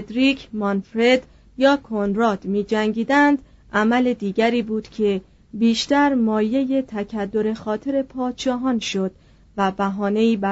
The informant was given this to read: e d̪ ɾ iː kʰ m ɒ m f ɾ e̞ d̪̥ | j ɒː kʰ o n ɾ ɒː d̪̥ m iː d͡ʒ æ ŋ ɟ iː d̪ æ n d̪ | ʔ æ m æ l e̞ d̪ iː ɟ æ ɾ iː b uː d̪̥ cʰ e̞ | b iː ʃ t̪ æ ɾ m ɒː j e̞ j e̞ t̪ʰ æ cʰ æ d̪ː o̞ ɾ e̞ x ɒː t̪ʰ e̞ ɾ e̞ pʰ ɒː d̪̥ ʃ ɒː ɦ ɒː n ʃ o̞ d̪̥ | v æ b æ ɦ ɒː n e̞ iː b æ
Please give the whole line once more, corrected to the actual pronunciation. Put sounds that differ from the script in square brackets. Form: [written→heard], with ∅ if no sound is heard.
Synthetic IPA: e d̪ ɾ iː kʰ m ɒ [m→n] f ɾ e̞ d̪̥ | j ɒː kʰ o n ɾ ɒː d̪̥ m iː d͡ʒ æ ŋ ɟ iː d̪ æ n d̪ | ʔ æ m æ l e̞ d̪ iː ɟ æ ɾ iː b uː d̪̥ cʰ e̞ | b iː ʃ t̪ æ ɾ m ɒː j e̞ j e̞ t̪ʰ æ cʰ æ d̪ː o̞ ɾ e̞ x ɒː t̪ʰ e̞ ɾ e̞ pʰ ɒː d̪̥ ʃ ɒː ɦ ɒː n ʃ o̞ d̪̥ | v æ b æ ɦ ɒː n e̞ iː b æ